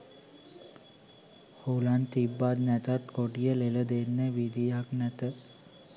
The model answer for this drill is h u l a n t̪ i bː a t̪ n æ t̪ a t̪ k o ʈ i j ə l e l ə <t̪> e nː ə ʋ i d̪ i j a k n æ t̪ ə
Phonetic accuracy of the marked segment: incorrect: d̪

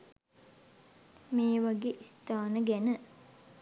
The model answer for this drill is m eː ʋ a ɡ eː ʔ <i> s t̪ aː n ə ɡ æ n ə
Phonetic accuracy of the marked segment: correct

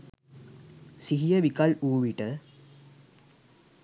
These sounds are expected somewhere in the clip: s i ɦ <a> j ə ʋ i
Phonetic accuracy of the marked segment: incorrect: i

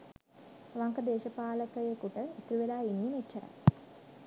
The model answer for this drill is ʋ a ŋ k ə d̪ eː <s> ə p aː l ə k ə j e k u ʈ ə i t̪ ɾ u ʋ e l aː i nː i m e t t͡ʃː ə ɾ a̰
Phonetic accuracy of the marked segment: incorrect: ʃ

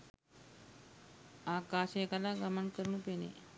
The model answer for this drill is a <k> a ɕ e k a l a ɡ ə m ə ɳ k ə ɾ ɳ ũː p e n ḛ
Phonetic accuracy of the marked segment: correct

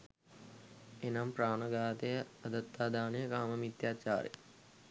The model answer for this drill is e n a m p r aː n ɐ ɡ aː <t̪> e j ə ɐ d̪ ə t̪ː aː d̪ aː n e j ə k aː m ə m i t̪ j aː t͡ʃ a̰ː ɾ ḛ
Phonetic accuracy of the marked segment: correct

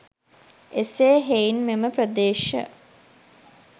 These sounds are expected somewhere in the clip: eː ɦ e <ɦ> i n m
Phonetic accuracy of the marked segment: incorrect: none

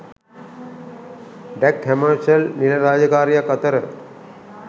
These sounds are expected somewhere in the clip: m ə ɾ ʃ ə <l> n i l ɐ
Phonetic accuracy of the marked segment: correct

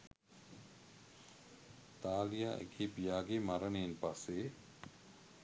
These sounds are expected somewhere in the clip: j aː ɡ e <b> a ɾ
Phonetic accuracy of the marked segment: incorrect: m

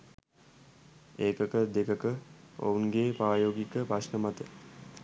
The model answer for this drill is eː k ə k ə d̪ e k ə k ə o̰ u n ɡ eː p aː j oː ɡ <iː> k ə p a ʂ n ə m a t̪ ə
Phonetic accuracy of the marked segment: incorrect: i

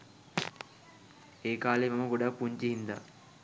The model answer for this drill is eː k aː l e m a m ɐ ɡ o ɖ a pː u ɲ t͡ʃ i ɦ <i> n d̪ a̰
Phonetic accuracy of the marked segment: correct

